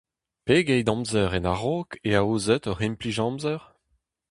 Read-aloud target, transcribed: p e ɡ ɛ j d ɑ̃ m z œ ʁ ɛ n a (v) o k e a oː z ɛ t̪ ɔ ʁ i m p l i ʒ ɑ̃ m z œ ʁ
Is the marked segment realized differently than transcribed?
yes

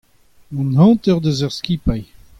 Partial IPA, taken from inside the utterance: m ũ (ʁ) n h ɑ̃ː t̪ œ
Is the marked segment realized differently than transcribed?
yes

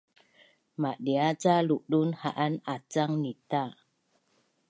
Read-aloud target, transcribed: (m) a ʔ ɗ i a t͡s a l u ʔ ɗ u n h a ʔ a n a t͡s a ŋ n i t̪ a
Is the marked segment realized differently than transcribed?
no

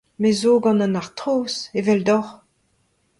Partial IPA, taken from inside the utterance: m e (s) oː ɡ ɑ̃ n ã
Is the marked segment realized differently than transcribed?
yes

